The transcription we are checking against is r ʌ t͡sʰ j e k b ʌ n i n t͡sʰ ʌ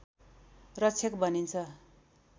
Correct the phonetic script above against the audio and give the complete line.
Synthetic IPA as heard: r ʌ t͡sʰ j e k b ʌ n i n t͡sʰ ʌ